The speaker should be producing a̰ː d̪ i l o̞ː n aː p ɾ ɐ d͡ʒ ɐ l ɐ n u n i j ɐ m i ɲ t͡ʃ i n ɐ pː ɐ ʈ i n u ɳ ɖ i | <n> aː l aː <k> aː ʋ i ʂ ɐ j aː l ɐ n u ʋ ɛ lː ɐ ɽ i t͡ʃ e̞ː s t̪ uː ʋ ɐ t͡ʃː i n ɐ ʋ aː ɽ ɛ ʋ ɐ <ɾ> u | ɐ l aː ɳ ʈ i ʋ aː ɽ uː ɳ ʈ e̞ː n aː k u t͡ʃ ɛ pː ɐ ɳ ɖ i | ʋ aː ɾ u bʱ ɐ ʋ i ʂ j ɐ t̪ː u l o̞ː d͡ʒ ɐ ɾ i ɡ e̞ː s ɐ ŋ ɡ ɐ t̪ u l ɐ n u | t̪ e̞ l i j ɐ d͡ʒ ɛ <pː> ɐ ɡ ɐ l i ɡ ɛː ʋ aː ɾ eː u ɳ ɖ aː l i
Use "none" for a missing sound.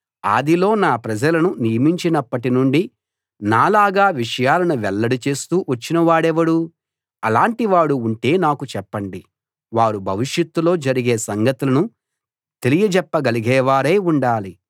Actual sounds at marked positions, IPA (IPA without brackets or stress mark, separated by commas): n, ɡ, ɽ, pː